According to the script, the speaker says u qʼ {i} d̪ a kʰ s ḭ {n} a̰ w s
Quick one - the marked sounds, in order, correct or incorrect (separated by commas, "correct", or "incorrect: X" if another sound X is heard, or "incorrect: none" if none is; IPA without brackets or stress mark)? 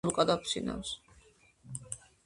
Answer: incorrect: a, correct